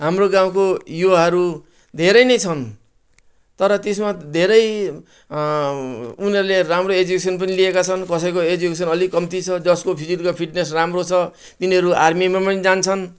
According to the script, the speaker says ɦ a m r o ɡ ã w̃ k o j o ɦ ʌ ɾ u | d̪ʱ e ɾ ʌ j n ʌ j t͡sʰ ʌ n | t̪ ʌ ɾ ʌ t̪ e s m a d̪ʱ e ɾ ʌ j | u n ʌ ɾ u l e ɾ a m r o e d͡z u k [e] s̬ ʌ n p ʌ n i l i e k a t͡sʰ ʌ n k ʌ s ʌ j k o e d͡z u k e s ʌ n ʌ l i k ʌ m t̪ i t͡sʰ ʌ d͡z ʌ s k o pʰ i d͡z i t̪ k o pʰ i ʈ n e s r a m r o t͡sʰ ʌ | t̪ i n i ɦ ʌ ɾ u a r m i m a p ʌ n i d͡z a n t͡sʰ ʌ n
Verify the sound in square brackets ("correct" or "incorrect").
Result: correct